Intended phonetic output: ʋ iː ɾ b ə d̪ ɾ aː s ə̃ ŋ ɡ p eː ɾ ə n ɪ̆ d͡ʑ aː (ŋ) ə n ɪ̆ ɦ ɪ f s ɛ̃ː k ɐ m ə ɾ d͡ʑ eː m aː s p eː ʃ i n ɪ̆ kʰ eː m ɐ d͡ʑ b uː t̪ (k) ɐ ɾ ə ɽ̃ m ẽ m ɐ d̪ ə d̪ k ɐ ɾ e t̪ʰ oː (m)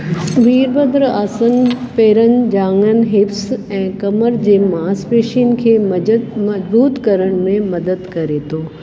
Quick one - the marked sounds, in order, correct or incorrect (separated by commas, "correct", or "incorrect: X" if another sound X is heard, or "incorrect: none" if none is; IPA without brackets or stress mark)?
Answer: correct, correct, incorrect: none